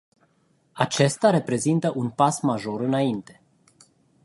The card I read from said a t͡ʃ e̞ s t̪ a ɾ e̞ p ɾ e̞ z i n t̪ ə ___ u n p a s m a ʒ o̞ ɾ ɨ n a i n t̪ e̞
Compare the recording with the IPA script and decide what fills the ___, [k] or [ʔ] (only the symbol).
ʔ